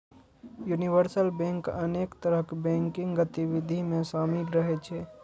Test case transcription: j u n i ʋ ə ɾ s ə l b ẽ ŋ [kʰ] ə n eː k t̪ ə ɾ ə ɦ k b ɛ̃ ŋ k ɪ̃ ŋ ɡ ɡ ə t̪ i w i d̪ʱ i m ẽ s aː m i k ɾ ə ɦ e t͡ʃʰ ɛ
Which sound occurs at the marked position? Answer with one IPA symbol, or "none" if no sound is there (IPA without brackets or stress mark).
k